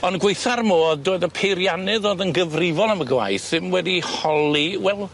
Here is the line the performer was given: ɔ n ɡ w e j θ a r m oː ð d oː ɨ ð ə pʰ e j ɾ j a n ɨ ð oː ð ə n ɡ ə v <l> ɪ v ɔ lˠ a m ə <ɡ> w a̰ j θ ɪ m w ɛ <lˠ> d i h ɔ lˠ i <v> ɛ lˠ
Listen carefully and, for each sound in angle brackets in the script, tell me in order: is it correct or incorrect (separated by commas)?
incorrect, correct, incorrect, incorrect